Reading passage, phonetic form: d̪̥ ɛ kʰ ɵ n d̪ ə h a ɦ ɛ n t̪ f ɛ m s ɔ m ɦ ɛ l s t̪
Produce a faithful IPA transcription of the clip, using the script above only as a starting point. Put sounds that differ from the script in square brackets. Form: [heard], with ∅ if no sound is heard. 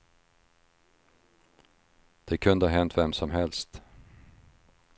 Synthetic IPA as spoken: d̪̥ ɛ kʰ ɵ n d̪ ə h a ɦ ɛ n t̪ [v] ɛ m s ɔ m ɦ ɛ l s t̪